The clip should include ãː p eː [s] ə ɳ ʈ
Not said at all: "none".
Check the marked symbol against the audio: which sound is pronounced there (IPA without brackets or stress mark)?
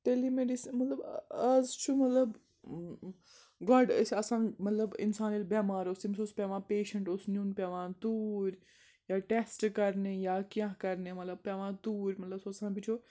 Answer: ʃ